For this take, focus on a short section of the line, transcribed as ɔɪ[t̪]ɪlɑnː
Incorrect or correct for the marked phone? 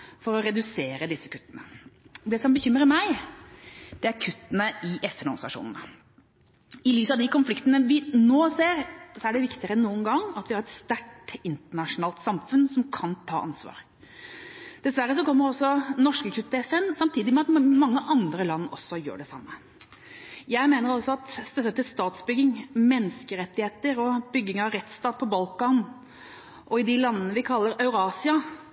incorrect: d̪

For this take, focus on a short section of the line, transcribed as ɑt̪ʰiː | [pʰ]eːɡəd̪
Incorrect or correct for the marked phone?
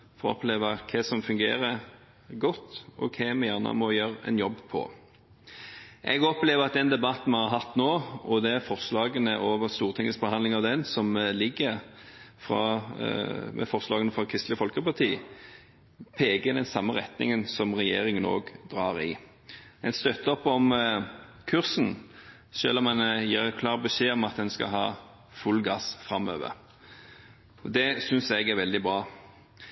correct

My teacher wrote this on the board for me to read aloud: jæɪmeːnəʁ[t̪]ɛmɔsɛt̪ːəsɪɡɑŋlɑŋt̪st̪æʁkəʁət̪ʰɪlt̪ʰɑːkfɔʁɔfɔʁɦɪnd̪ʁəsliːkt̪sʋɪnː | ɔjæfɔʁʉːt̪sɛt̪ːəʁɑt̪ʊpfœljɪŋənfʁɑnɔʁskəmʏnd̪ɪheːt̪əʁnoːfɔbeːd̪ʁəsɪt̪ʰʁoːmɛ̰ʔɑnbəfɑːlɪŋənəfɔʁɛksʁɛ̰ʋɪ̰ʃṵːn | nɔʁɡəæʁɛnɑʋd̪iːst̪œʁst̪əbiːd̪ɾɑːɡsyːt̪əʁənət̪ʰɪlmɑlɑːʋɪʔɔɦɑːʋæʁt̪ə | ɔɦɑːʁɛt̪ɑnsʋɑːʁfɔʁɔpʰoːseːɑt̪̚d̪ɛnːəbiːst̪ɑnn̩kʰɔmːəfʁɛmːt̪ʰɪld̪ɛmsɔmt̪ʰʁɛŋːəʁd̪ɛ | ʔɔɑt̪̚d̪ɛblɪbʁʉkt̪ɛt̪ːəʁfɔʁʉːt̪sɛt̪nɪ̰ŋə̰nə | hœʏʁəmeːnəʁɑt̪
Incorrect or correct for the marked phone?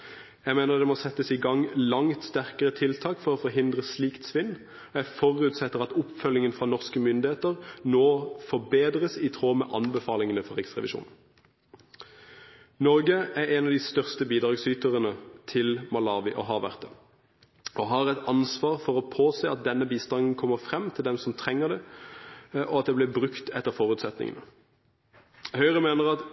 incorrect: d̪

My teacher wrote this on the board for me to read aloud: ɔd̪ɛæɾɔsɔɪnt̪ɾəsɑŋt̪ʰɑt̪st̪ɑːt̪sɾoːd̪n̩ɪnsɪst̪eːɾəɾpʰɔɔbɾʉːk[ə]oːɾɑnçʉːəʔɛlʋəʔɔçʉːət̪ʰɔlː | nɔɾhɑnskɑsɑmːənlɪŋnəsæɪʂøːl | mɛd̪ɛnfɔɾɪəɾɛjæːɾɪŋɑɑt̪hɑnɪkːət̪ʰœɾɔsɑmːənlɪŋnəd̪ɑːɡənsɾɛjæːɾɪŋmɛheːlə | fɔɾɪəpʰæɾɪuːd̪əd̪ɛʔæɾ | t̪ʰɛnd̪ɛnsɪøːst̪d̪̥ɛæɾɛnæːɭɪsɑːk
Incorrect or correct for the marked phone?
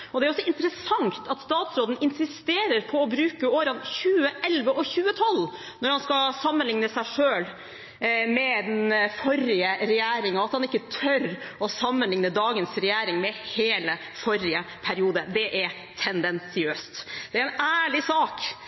correct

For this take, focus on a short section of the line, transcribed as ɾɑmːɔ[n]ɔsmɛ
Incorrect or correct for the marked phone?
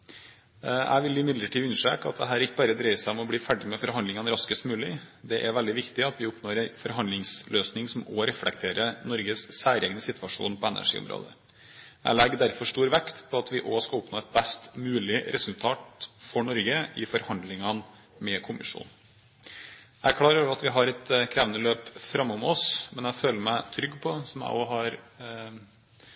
incorrect: m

